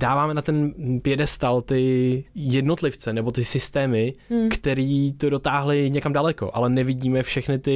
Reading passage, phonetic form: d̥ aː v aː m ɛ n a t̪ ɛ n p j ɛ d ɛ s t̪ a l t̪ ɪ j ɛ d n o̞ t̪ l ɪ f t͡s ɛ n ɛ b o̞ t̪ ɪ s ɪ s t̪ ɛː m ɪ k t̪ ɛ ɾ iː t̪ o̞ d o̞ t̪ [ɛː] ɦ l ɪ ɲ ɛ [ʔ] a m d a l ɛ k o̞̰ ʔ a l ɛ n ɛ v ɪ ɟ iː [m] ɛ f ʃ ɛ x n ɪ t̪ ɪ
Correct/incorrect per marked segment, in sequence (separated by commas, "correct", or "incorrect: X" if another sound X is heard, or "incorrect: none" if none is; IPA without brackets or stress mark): incorrect: aː, incorrect: k, correct